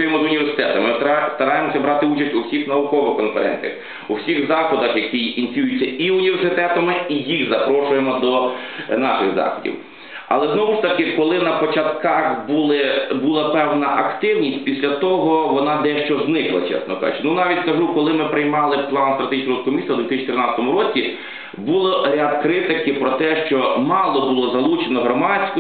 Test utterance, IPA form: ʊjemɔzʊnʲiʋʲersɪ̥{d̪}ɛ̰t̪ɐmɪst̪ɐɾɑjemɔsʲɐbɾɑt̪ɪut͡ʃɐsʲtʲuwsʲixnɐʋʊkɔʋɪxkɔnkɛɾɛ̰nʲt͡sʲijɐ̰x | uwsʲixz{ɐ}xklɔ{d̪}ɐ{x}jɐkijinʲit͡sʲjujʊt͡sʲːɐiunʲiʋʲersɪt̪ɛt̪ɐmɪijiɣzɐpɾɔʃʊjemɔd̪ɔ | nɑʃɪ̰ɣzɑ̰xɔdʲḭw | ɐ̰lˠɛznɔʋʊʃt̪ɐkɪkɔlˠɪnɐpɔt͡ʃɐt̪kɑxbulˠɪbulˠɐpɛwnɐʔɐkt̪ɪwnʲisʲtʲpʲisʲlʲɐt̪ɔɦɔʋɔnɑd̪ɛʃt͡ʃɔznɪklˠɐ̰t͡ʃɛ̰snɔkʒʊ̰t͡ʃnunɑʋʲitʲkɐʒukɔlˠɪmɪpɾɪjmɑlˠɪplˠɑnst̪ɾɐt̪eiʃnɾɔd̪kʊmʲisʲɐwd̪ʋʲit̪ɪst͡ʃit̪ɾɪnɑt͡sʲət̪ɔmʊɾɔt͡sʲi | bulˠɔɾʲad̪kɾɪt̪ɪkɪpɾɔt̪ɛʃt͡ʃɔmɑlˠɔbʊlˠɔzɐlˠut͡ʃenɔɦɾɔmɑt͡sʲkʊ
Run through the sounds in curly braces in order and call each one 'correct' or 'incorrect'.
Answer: incorrect, incorrect, correct, correct

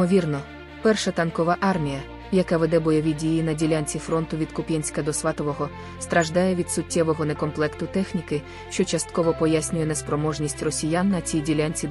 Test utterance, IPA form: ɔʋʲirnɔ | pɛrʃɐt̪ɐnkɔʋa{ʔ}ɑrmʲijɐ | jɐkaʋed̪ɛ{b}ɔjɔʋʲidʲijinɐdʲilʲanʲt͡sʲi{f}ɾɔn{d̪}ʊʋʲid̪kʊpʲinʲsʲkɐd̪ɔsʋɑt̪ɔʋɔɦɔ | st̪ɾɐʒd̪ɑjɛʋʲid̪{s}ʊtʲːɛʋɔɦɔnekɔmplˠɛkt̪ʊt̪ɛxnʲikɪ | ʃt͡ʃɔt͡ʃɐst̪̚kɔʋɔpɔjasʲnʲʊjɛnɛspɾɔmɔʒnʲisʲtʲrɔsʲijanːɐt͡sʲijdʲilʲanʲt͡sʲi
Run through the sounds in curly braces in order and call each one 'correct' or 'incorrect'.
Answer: correct, correct, correct, incorrect, correct

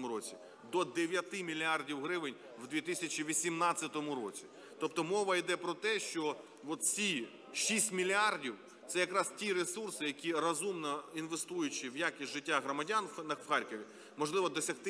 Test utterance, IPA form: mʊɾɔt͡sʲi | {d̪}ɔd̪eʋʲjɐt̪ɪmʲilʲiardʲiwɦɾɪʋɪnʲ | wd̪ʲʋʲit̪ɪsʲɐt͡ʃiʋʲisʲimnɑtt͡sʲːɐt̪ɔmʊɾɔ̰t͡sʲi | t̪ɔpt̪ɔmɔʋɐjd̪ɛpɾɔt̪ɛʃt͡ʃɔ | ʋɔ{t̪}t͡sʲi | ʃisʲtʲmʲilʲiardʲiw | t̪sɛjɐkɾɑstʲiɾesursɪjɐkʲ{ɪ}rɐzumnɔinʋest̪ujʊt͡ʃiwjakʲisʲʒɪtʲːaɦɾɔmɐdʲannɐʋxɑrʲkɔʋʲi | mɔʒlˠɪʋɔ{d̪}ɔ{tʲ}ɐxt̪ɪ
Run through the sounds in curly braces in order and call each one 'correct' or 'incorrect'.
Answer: correct, correct, incorrect, correct, incorrect

